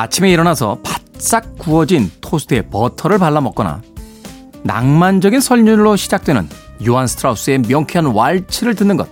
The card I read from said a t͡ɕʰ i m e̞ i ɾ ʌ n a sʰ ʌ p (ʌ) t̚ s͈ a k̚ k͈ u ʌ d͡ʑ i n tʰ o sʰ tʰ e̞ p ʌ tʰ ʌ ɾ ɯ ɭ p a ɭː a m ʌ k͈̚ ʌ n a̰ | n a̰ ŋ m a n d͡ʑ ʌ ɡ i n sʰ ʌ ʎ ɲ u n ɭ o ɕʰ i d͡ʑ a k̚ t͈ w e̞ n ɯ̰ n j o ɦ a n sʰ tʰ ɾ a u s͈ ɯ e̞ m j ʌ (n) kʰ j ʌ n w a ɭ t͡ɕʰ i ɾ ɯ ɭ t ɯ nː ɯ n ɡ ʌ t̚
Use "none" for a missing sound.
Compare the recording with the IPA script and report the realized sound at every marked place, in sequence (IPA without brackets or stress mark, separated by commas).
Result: a, ŋ